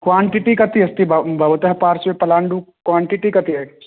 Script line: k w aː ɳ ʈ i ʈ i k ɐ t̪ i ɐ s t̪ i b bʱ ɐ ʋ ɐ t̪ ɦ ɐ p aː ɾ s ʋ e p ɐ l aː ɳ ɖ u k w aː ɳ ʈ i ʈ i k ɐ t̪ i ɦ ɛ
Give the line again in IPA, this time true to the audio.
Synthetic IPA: k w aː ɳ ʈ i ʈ i k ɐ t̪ i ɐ s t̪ i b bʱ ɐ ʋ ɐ t̪ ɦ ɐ p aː ɾ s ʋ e p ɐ l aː ɳ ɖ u k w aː ɳ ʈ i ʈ i k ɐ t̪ i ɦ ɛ